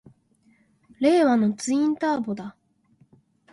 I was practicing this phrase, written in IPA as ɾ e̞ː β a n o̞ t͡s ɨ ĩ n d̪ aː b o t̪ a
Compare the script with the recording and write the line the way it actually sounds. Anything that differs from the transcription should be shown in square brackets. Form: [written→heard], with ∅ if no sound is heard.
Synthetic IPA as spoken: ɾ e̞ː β a n o̞ t͡s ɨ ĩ n [d̪→t̪] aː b o [t̪→d̪] a